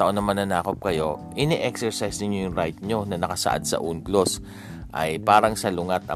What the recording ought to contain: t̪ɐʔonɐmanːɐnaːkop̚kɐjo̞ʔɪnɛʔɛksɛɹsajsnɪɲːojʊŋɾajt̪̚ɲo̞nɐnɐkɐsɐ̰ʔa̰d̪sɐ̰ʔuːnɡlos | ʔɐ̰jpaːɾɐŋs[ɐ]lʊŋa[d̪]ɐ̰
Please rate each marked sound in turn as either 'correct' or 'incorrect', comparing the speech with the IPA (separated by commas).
correct, incorrect